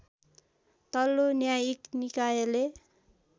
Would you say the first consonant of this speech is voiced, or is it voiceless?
voiceless